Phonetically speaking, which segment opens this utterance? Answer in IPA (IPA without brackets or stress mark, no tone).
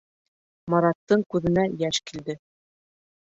m